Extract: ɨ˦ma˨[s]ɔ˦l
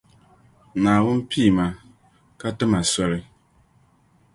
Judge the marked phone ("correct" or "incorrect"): correct